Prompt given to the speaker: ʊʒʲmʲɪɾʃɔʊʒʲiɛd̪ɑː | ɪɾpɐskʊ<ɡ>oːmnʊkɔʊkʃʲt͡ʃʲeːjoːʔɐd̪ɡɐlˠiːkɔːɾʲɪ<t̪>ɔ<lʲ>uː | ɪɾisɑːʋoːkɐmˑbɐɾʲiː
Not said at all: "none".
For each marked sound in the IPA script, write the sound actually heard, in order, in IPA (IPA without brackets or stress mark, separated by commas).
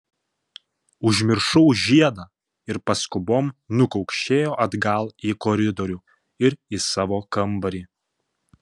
b, d̪, ɾʲ